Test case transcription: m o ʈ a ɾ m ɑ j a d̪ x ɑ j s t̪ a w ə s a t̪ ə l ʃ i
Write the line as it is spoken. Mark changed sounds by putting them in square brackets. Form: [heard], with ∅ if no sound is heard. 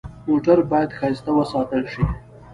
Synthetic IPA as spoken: m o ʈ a ɾ [b] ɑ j a d̪ x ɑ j s t̪ a w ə s [ɑ] t̪ ə l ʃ i